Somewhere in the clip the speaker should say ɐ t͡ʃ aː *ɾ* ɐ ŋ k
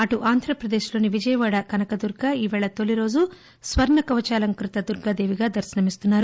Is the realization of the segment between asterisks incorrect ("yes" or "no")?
yes